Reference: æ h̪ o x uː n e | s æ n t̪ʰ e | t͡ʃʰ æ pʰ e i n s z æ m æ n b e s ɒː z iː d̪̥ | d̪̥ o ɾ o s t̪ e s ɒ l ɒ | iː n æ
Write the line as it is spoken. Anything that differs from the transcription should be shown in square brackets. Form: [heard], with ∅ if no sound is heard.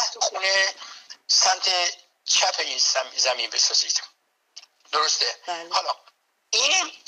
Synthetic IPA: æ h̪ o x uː n e | s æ [m] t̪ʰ e | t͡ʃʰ æ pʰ e i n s z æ m [i] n b e s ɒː z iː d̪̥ | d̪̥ o ɾ o s t̪ e [h] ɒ l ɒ | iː n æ